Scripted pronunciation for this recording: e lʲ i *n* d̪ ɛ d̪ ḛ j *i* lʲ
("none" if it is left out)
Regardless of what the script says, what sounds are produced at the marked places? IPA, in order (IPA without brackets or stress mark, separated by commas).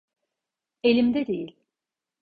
m, i